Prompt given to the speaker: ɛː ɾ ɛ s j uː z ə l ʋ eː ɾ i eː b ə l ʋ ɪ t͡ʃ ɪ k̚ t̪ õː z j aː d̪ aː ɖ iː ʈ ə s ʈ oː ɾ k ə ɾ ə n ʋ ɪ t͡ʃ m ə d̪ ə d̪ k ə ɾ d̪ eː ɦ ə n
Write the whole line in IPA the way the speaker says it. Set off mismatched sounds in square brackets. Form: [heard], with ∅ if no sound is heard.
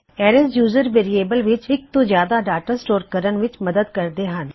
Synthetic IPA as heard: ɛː ɾ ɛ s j uː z ə [ɾ] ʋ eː ɾ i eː b ə l ʋ ɪ t͡ʃ ɪ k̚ t̪ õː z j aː d̪ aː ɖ [aː] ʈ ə s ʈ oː ɾ k ə ɾ ə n ʋ ɪ t͡ʃ m ə d̪ ə d̪ k ə ɾ d̪ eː ɦ ə n